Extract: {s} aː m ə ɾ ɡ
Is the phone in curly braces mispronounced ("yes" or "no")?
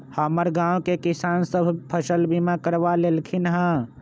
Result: yes